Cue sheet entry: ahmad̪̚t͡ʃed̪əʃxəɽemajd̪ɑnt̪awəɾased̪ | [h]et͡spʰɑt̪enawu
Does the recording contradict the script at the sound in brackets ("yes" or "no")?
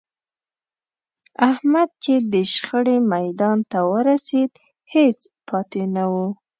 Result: no